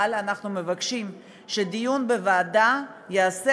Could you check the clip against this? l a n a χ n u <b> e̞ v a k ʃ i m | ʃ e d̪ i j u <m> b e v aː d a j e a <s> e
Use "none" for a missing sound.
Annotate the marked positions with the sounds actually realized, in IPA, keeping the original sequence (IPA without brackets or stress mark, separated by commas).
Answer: m, n, s